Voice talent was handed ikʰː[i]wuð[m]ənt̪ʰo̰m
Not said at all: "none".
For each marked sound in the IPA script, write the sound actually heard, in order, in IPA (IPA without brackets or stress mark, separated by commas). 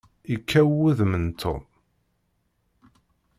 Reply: æ, m